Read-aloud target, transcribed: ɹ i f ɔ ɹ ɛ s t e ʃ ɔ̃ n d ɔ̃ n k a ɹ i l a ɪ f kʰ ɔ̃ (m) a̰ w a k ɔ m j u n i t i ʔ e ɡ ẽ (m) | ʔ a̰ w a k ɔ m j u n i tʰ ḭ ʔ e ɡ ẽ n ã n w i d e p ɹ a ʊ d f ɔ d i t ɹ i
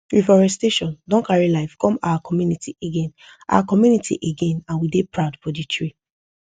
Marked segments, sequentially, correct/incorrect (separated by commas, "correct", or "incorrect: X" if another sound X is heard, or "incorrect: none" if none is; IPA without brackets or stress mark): correct, incorrect: n